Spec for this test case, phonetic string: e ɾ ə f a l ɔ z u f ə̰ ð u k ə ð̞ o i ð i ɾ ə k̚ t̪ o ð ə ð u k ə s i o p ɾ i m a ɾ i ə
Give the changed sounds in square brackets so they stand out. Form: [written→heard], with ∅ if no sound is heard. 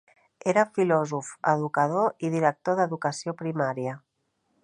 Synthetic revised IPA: e ɾ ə f [a→i] l ɔ z u f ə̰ ð u k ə ð̞ o i ð i ɾ ə k̚ t̪ o ð ə ð u k ə s i o p ɾ i m a ɾ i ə